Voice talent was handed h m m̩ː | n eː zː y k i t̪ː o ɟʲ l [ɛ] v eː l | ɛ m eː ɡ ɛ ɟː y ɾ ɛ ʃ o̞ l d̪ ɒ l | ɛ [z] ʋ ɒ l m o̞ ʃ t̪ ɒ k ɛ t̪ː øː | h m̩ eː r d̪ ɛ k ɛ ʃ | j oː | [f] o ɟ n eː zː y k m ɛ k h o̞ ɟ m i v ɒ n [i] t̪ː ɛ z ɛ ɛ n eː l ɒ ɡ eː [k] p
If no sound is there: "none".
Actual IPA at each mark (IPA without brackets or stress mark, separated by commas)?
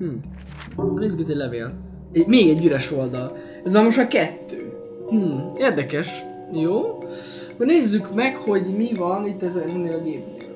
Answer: ɛ, z, h, i, none